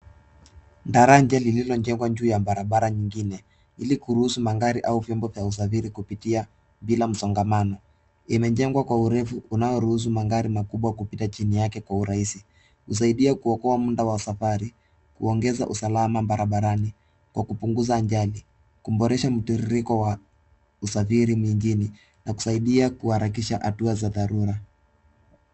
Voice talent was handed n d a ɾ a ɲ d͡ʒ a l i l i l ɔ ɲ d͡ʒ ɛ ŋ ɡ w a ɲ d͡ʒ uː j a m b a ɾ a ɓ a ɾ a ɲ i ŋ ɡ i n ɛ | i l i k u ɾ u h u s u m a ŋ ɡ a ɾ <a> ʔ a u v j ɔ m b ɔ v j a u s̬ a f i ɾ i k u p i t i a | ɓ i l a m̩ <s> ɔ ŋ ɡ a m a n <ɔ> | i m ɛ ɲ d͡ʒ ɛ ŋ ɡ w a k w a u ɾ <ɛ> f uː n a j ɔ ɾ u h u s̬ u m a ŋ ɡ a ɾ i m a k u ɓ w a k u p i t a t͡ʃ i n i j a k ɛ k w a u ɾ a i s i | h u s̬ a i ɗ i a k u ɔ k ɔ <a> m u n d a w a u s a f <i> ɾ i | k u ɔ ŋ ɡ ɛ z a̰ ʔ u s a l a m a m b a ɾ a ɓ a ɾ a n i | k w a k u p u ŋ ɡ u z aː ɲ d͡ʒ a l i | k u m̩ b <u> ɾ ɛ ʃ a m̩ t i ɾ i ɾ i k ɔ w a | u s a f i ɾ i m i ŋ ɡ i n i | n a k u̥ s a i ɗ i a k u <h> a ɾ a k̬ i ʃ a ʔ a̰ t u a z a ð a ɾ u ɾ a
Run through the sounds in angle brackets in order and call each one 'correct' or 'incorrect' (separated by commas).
incorrect, correct, correct, correct, correct, incorrect, incorrect, correct